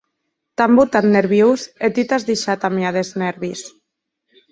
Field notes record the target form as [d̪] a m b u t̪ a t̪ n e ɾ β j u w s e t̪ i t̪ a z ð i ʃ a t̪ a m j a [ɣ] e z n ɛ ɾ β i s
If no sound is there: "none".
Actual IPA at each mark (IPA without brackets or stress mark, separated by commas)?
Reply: t̪, ð